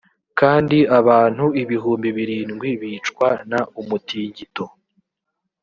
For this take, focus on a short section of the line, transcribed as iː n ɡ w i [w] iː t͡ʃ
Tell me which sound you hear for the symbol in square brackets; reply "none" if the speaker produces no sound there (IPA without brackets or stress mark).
β